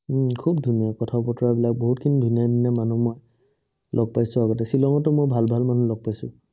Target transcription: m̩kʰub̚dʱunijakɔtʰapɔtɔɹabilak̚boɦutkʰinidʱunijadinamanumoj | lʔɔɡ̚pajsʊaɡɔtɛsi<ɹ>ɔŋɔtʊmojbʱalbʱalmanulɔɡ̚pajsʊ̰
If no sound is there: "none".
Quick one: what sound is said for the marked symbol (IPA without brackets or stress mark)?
l